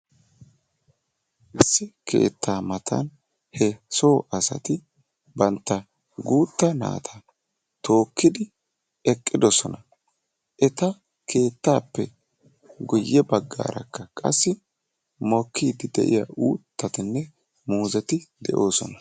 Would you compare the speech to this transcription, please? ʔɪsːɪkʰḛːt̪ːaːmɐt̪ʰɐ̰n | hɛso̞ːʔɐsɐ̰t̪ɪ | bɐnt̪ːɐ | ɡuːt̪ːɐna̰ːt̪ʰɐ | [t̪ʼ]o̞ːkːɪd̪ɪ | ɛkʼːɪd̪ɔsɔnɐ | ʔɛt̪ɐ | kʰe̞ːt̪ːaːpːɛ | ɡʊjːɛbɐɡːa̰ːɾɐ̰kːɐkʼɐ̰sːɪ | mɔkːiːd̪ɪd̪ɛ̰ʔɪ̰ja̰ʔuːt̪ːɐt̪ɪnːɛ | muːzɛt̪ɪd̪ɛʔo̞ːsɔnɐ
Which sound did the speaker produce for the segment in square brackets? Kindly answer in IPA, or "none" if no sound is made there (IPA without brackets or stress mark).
t̪